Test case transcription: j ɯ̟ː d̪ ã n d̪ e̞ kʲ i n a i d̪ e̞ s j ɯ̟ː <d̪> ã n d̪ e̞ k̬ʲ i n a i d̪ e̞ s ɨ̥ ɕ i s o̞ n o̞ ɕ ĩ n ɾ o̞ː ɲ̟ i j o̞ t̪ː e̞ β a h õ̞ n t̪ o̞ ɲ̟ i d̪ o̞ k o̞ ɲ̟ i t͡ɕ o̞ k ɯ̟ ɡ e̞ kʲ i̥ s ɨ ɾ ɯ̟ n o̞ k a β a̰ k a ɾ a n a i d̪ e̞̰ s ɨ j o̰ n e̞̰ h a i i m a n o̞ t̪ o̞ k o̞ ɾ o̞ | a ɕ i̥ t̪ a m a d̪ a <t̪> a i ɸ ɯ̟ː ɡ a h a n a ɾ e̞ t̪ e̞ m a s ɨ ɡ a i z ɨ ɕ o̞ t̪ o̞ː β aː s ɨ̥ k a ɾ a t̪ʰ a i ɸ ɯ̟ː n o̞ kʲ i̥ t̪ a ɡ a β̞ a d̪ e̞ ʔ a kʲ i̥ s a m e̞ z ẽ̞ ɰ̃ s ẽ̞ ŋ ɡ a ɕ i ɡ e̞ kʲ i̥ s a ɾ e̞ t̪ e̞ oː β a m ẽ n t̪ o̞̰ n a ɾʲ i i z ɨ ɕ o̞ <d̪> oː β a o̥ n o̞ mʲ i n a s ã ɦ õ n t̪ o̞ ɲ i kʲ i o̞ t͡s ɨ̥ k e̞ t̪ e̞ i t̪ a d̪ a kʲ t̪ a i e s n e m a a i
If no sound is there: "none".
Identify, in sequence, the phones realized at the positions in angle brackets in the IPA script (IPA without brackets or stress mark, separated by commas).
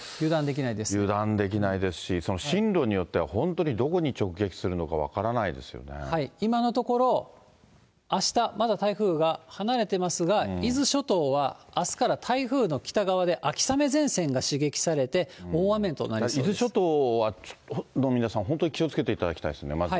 d̪, t̪, t̪